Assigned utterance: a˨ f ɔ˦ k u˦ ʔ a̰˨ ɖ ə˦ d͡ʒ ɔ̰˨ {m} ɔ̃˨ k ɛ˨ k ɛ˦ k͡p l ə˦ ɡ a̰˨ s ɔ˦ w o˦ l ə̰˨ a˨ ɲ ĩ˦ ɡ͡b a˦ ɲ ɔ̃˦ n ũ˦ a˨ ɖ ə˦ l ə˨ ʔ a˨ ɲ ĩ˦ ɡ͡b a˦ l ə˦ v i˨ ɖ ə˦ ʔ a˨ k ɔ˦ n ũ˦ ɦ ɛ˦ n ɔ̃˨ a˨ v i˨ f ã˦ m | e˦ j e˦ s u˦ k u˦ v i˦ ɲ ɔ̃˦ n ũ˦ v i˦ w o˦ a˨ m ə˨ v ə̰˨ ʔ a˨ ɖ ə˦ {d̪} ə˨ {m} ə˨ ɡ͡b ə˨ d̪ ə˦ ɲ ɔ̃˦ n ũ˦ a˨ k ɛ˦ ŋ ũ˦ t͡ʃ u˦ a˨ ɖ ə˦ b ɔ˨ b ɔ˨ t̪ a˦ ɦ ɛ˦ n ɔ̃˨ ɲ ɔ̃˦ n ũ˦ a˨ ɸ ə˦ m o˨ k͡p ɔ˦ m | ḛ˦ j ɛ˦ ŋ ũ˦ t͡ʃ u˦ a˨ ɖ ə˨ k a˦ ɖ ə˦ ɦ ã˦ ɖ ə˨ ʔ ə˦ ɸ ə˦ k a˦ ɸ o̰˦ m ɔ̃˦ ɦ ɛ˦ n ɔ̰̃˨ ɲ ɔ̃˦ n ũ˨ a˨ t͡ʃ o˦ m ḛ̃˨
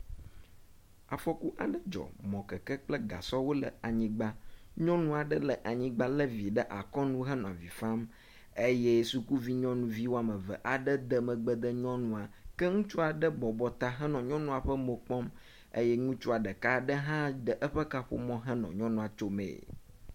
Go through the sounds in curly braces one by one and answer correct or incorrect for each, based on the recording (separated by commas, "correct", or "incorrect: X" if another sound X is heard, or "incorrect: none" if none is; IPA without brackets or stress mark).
correct, correct, correct